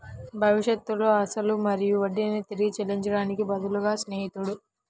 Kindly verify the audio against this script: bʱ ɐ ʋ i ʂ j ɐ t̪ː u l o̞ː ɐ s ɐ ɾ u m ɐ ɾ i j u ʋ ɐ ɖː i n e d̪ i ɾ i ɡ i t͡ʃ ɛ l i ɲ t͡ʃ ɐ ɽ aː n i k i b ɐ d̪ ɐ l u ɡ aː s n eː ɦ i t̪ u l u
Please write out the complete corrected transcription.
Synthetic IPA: bʱ ɐ ʋ i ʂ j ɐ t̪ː u l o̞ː ɐ s ɐ l u m ɐ ɾ i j u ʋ ɐ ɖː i n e t̪ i ɾ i ɡ i t͡ʃ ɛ l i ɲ t͡ʃ ɐ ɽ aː n i k i b ɐ d̪ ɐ l u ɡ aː s n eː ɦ i t̪ u ɽ u